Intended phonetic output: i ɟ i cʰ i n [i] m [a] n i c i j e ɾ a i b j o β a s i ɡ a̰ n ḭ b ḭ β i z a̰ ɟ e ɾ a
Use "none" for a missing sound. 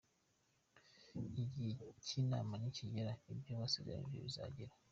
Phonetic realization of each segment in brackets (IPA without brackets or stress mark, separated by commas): a, a